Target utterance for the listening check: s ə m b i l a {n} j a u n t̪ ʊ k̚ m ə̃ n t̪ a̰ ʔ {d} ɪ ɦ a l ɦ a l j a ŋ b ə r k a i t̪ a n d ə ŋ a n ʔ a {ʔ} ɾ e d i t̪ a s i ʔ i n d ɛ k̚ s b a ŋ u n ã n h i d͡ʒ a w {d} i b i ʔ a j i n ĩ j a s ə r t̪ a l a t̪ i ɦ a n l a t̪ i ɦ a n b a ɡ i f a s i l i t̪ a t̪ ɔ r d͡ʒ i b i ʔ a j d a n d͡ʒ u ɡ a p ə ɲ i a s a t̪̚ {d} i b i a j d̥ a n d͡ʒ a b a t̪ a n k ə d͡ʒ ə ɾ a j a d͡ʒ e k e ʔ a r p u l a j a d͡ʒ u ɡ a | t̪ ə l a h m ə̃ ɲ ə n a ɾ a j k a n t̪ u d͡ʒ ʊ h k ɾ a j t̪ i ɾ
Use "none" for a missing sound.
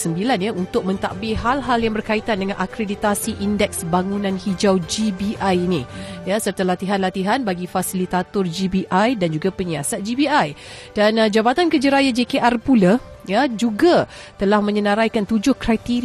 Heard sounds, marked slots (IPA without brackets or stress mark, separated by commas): n, b, k, d͡ʒ, d͡ʒ